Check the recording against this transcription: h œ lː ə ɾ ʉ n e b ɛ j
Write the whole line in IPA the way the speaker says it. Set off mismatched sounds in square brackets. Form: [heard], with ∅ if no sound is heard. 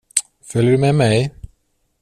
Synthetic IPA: [f] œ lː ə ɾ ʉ [m] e [m] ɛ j